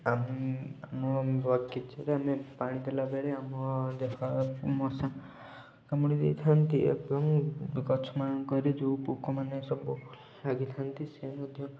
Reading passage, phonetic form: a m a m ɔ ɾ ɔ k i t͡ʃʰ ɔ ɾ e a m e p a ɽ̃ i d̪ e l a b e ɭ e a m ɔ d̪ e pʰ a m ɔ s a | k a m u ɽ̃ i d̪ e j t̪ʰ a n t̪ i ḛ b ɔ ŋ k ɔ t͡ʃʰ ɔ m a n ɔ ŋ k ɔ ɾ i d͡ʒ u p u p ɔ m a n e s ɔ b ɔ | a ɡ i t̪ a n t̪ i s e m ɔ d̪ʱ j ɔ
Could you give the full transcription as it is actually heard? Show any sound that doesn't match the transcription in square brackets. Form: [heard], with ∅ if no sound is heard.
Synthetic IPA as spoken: a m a m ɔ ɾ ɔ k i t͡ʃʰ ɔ ɾ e a m e p a ɽ̃ i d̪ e l a b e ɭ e a m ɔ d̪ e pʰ a m ɔ s a | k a m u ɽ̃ i d̪ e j t̪ʰ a n t̪ i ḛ b ɔ ŋ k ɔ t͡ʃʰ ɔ m a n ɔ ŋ k ɔ ɾ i d͡ʒ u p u [k] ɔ m a n e s ɔ b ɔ | a ɡ i [t̪ʰ] a n t̪ i s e m ɔ d̪ʱ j ɔ